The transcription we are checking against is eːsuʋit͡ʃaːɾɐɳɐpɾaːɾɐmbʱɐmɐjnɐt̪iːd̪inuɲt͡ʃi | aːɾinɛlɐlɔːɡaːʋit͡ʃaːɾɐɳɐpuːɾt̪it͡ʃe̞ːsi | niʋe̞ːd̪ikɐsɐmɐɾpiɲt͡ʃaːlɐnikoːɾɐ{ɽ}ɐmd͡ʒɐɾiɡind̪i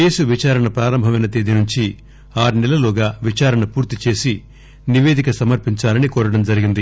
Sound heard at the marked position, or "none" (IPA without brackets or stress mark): ɽ